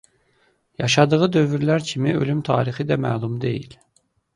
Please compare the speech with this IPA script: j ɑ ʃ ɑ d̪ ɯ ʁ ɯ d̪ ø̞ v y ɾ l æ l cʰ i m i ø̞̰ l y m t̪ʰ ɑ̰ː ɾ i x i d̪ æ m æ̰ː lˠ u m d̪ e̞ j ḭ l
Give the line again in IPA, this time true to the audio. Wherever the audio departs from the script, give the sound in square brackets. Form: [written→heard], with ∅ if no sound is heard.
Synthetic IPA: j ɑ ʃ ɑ d̪ ɯ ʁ ɯ d̪ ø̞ v y ɾ l æ [l→ɾ] cʰ i m i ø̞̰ l y m t̪ʰ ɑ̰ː ɾ i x i d̪ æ m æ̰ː lˠ u m d̪ e̞ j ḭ l